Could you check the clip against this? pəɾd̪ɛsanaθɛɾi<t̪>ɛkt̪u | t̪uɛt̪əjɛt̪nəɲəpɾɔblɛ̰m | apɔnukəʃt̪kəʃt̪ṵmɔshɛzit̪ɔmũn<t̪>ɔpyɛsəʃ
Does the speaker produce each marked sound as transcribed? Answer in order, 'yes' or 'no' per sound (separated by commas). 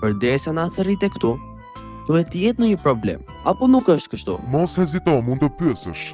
yes, no